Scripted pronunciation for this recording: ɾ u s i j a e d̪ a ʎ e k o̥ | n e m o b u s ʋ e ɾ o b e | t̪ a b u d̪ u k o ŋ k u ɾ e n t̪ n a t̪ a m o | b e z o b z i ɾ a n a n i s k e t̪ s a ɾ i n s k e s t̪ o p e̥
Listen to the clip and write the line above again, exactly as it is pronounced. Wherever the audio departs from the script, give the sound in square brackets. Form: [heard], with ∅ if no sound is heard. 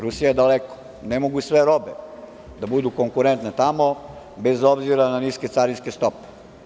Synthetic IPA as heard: ɾ u s i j a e d̪ a [l] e k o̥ | n e m o [ɡ] u s ʋ e ɾ o b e | [d̪] a b u d̪ u k o ŋ k u ɾ e n t̪ n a t̪ a m o | b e z o b z i ɾ a n a n i s k e t̪ s a ɾ i n s k e s t̪ o p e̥